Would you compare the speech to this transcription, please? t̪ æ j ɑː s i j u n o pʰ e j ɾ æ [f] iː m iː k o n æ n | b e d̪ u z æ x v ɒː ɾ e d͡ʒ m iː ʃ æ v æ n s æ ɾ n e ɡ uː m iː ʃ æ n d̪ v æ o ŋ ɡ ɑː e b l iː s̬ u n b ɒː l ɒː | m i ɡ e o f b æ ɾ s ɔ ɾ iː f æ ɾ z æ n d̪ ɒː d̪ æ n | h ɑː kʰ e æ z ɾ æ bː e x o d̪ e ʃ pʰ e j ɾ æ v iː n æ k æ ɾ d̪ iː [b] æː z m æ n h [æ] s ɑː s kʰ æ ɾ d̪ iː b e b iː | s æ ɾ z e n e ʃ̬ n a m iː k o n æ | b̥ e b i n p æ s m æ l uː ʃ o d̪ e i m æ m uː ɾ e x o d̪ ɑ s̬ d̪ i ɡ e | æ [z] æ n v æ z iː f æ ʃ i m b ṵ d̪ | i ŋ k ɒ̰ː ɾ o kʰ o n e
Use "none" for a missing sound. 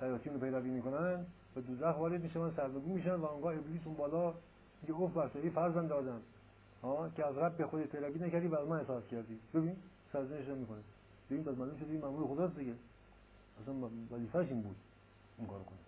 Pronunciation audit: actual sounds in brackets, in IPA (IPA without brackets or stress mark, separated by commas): v, v, e, s